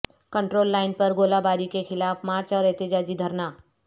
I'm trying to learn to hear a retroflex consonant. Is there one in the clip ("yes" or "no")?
yes